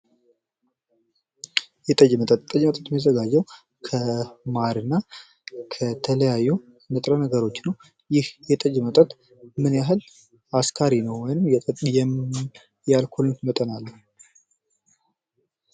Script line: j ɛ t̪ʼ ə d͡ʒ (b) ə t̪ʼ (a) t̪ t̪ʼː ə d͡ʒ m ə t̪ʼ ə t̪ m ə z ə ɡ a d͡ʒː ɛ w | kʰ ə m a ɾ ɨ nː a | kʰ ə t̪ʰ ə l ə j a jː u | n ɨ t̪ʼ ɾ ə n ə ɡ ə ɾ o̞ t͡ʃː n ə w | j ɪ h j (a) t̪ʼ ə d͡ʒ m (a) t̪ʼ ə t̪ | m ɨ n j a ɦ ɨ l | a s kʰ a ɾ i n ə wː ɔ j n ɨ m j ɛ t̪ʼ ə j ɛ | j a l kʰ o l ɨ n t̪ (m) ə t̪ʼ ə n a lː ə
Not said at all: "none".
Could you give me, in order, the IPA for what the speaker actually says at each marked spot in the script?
m, ə, ɛ, ə, m

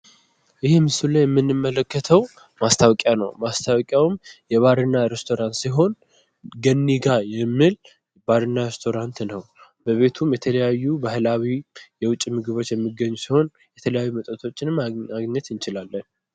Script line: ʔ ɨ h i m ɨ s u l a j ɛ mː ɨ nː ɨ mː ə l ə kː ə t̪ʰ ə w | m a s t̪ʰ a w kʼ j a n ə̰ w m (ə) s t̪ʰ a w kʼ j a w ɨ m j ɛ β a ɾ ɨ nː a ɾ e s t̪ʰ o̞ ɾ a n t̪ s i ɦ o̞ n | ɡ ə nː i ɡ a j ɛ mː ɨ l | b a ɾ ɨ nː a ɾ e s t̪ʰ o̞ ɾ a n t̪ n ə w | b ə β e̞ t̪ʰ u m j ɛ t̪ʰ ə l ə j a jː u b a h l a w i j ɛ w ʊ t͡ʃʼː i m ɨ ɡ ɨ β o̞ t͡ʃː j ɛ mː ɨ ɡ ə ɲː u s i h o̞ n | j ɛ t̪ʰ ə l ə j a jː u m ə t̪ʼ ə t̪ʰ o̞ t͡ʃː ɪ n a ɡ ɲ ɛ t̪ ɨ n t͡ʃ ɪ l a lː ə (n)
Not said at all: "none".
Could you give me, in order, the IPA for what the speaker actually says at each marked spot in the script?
a, n

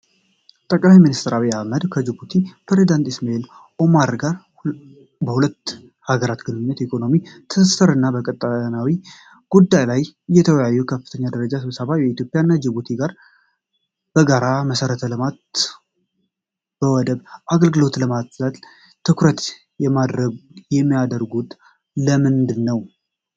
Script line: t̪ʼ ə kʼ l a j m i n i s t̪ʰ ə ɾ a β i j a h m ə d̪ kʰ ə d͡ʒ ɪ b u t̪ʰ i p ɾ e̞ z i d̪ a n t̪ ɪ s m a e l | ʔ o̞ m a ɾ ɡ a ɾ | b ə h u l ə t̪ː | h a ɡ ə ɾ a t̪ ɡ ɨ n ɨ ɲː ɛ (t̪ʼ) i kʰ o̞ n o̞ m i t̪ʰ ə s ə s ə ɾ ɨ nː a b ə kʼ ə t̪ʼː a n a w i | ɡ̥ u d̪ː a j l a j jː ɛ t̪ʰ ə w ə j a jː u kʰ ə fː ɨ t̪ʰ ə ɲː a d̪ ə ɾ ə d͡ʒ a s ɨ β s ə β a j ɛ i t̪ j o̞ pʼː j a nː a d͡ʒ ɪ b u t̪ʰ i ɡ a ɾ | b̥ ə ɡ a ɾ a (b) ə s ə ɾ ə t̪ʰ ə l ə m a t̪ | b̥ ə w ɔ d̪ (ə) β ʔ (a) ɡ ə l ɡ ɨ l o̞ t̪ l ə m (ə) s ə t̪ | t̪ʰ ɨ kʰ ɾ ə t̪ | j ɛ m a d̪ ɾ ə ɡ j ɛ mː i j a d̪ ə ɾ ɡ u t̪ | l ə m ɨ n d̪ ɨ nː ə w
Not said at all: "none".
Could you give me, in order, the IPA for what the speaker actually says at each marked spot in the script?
t̪, m, ə, a, a

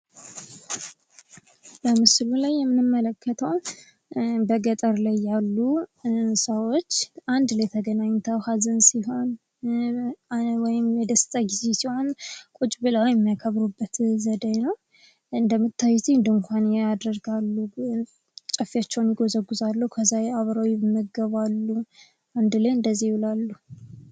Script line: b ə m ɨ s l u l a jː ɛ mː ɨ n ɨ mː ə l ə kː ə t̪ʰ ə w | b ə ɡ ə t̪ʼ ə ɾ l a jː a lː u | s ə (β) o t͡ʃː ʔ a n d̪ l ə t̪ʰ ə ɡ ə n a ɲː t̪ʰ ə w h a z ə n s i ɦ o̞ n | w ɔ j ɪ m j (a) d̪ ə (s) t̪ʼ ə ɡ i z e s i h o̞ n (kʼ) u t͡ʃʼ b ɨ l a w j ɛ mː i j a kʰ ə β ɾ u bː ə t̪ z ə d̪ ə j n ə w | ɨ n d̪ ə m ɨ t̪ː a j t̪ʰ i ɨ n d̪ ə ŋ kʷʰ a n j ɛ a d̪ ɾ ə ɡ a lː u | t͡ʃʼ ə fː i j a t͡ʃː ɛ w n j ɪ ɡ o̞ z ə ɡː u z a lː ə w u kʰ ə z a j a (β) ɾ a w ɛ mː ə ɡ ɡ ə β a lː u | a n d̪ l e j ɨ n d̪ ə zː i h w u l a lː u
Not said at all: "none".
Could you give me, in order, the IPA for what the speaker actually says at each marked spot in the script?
w, ɛ, s, kʼ, β

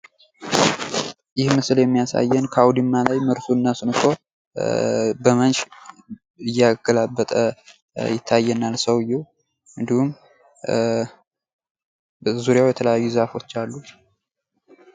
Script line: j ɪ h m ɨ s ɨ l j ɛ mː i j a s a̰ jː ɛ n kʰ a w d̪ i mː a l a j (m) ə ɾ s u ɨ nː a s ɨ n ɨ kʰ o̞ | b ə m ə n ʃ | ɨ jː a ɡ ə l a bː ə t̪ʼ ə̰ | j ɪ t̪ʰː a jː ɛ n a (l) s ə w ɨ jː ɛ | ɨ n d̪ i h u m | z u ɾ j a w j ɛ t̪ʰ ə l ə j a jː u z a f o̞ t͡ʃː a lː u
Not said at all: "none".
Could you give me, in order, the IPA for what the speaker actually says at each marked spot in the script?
m, l

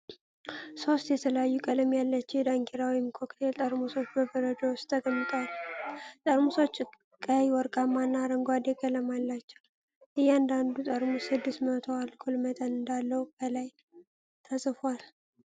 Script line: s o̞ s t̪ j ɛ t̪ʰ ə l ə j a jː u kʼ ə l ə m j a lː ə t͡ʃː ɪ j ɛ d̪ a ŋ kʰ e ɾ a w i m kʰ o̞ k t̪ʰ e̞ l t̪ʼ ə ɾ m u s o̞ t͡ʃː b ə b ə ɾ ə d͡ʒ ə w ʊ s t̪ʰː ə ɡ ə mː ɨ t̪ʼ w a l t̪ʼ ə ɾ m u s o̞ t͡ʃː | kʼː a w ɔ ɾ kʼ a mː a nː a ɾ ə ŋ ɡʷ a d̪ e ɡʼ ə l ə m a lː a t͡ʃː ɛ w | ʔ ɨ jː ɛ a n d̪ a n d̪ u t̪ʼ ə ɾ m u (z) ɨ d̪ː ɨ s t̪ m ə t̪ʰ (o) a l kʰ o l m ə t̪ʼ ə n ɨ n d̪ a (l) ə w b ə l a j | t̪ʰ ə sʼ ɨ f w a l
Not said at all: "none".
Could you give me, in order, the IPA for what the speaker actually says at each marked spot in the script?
s, o, lː

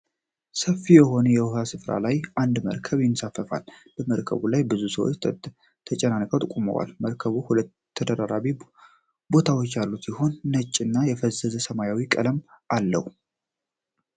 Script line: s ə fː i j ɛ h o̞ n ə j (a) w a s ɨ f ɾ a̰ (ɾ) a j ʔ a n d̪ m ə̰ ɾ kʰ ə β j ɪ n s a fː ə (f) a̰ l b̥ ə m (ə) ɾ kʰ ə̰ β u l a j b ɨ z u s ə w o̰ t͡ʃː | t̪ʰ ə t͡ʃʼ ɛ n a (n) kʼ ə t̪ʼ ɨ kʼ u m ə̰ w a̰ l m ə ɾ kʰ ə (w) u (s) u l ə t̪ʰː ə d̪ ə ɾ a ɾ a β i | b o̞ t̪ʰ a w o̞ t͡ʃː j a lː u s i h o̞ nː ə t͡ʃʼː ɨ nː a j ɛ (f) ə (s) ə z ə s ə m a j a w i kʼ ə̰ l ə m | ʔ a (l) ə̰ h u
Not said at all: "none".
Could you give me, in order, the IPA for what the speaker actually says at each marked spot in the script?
ɛ, l, f, ə, n, β, h, f, z, lː

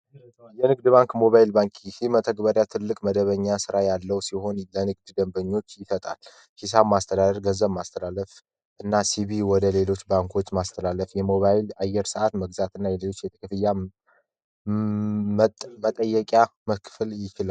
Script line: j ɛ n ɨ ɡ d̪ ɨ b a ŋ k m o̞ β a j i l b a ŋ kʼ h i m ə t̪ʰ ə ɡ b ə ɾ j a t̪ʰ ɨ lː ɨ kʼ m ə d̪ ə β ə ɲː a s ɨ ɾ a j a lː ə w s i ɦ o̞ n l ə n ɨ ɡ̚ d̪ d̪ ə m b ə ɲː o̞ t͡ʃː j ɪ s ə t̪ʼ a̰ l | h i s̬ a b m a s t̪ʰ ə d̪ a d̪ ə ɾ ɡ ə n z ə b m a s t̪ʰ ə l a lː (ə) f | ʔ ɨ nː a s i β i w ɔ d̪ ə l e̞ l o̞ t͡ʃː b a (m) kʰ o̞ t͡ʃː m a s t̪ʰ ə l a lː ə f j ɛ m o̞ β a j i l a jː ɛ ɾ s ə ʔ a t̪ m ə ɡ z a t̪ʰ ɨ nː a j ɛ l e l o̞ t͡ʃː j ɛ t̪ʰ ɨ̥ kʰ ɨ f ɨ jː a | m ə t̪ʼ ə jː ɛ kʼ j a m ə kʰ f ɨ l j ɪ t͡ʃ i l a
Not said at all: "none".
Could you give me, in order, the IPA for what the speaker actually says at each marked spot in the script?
ə, ŋ

